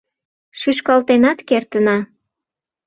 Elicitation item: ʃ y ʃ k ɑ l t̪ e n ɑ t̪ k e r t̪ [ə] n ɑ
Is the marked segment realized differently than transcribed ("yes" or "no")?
no